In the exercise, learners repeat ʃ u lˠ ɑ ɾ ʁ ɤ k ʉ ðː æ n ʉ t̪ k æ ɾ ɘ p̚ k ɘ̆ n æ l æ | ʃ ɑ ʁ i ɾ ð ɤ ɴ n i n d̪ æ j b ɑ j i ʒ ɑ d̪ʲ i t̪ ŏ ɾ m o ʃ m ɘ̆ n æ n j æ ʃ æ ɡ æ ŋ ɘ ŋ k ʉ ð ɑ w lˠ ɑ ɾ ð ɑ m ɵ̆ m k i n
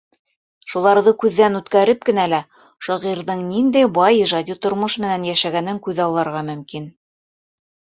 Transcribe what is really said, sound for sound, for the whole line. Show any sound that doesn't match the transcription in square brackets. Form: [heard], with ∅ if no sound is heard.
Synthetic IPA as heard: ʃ u lˠ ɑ ɾ [ð] ɤ k ʉ ðː æ n ʉ t̪ k æ ɾ ɘ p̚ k ɘ̆ n æ l æ | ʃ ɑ ʁ i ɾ ð ɤ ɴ n i n d̪ æ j b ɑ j i ʒ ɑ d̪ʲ i t̪ ŏ ɾ m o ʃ m ɘ̆ n æ n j æ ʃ æ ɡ æ [n] ɘ ŋ k ʉ ð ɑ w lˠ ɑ ɾ [ʁ] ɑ m ɵ̆ m k i n